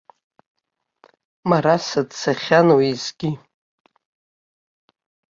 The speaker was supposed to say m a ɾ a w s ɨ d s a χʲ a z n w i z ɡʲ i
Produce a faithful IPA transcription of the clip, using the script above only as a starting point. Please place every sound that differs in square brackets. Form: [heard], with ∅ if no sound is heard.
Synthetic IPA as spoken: m a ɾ a [∅] s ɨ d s a χʲ a [∅] n w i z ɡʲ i